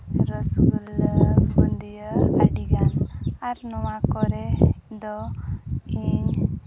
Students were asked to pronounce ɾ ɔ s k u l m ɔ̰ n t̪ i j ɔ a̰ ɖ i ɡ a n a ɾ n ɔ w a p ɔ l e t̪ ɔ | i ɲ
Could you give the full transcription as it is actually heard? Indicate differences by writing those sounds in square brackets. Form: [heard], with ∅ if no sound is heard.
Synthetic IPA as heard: ɾ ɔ s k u l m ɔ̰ n [d̪] i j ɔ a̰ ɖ i ɡ a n a ɾ n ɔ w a [k] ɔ [ɾ] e [d̪] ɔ | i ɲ